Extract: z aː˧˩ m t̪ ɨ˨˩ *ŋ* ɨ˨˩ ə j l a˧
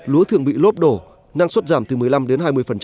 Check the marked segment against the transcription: incorrect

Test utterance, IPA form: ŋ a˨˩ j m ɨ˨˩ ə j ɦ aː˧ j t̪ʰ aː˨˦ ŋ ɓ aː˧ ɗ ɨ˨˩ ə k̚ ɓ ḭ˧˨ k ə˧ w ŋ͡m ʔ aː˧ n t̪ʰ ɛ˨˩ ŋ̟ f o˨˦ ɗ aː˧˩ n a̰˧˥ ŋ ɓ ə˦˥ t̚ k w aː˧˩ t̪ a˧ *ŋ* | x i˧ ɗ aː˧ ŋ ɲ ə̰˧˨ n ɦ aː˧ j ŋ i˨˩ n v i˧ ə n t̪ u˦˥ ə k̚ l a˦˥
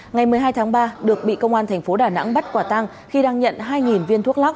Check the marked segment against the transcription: correct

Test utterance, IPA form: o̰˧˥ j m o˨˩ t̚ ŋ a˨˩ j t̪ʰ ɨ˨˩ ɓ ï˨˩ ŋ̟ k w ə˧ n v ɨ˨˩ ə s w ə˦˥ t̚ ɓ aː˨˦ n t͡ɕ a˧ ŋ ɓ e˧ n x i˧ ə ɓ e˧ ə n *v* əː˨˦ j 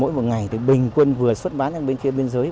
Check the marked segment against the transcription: incorrect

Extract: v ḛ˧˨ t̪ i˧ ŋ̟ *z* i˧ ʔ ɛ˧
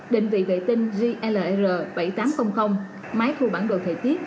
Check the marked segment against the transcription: correct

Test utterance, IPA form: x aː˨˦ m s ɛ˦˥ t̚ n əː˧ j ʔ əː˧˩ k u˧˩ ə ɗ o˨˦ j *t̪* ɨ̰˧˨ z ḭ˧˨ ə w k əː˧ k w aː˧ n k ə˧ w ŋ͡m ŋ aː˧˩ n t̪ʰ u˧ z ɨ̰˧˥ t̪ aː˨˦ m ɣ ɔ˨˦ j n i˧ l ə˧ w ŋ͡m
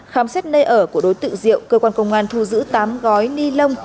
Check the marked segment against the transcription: correct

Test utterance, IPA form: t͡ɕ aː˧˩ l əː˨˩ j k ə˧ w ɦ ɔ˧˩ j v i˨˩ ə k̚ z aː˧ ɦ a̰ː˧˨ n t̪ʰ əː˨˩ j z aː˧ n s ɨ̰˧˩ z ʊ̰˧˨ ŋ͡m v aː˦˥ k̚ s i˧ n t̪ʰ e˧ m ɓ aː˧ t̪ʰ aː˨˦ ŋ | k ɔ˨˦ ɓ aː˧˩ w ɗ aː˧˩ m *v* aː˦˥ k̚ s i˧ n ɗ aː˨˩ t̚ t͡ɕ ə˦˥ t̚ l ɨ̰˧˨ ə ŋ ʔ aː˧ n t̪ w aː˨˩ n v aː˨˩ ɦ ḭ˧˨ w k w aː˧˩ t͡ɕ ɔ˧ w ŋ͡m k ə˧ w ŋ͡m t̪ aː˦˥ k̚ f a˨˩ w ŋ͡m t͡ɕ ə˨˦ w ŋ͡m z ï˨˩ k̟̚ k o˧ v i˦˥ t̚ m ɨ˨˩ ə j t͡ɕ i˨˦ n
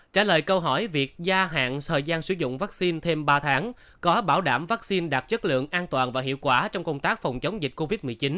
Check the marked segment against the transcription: correct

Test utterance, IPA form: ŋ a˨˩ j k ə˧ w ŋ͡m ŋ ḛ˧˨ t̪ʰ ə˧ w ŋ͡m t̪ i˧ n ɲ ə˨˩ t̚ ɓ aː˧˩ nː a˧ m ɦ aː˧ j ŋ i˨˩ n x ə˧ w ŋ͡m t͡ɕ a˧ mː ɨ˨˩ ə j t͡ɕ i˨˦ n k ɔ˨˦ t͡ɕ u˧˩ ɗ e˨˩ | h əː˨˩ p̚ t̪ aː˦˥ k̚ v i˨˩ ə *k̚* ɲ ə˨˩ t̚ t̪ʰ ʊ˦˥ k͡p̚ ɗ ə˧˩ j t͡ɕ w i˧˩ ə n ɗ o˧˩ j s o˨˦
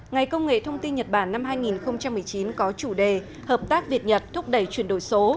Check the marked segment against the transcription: incorrect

